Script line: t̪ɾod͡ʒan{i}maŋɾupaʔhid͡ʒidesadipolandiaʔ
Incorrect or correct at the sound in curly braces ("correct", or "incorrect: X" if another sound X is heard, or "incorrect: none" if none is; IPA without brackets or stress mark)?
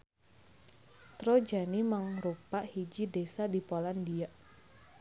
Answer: correct